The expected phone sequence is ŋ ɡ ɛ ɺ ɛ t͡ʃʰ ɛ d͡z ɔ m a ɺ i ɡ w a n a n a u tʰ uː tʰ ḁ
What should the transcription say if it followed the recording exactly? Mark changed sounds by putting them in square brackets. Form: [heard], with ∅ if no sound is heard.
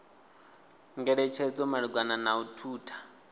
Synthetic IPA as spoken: ŋ ɡ ɛ ɺ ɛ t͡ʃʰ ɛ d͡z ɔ m a ɺ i ɡ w a n a n a u tʰ uː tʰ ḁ

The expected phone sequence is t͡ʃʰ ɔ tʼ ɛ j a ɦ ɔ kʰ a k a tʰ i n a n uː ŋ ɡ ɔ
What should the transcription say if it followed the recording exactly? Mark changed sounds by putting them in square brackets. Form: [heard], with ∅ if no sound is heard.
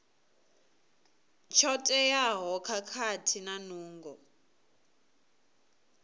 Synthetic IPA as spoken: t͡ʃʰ ɔ tʼ ɛ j a ɦ ɔ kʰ a [kʰ] a tʰ i n a n uː ŋ ɡ ɔ

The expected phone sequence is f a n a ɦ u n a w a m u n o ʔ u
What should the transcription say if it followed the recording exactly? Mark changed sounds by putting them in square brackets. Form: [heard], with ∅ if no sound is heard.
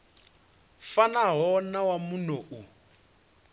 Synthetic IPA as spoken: f a n a ɦ [ɔ] n a w a m u n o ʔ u

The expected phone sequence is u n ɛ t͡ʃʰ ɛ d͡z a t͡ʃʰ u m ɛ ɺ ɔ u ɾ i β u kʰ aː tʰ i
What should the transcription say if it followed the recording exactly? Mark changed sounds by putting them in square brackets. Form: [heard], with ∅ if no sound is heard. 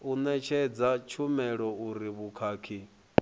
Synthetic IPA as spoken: u n ɛ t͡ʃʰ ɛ d͡z a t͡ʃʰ u m ɛ ɺ ɔ u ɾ i β u kʰ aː [kʰ] i

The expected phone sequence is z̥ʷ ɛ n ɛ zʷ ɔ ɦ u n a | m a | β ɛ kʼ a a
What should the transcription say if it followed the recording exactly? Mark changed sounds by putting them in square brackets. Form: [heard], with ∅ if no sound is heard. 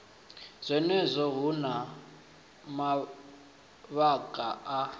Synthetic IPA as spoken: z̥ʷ ɛ n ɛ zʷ ɔ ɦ u n a | m a | β [a] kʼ a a

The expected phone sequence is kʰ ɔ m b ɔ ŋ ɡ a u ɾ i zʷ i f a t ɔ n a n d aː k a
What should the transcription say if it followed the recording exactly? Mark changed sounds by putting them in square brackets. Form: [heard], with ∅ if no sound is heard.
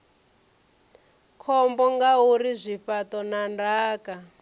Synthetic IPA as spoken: kʰ ɔ m b ɔ ŋ ɡ a u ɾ i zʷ i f a t ɔ n a n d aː k a

